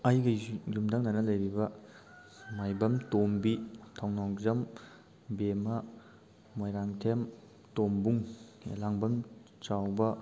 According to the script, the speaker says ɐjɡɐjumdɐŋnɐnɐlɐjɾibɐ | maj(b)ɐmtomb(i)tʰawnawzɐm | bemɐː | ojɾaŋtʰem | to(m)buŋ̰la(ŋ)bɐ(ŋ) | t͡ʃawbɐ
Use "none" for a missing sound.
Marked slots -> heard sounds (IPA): b, i, m, ŋ, m

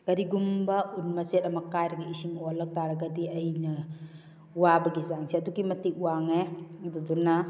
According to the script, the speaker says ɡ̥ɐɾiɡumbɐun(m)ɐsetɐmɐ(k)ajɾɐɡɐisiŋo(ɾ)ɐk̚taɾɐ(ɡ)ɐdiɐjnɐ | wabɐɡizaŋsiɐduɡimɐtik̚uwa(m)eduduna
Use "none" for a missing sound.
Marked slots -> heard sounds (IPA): m, k, l, ɡ, ŋ

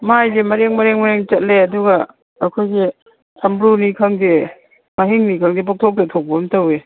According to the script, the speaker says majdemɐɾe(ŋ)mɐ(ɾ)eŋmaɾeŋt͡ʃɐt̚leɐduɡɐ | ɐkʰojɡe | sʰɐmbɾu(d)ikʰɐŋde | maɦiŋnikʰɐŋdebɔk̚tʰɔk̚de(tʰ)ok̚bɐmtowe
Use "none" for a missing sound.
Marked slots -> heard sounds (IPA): ŋ, ɾ, n, tʰ

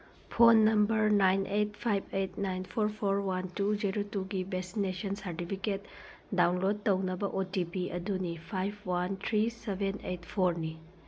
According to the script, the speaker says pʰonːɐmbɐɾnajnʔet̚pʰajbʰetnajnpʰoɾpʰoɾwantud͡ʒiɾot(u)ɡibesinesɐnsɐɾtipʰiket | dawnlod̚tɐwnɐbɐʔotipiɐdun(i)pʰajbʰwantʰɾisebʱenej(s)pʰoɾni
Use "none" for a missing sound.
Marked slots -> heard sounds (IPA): u, i, t

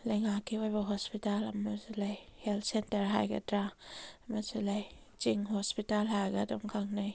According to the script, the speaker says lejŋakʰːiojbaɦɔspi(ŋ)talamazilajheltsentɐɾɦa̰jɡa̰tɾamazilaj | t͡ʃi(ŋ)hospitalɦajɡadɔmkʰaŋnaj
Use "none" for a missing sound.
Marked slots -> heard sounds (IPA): none, ŋ

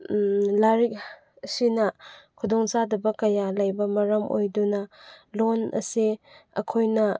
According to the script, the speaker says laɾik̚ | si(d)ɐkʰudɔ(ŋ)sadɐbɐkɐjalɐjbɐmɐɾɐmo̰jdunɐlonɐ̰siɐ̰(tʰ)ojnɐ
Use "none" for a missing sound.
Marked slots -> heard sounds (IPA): n, ŋ, kʰ

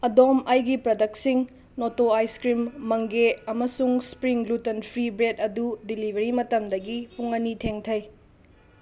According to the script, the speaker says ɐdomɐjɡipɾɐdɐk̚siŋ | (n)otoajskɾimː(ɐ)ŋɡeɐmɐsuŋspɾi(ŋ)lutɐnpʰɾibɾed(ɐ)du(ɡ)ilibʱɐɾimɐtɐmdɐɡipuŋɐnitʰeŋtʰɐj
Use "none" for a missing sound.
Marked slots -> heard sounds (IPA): n, ɐ, ŋ, ɐ, d

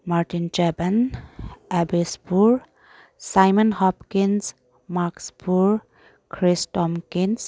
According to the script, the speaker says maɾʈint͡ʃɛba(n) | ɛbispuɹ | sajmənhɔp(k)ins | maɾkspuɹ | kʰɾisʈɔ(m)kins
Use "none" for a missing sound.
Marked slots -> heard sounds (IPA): n, k, m

